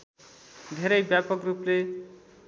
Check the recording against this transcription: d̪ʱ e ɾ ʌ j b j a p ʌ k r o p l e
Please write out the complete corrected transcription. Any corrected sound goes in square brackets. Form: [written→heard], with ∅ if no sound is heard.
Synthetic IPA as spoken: d̪ʱ e ɾ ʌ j b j a p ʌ k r [o→u] p l e